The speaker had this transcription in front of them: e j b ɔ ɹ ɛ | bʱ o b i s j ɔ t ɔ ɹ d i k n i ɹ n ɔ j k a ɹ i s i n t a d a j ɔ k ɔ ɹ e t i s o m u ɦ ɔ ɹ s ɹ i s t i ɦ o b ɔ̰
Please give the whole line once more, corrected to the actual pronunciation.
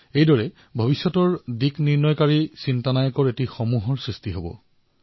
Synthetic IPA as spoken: e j d ɔ ɹ ɛ | bʱ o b i s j ɔ t ɔ ɹ d i k n i ɹ n ɔ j k a ɹ i s i n t a n a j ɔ k ɔ ɹ e t i x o m u ɦ ɔ ɹ s ɹ i s t i ɦ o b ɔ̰